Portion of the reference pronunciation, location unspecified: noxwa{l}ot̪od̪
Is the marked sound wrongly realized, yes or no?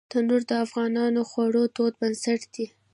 yes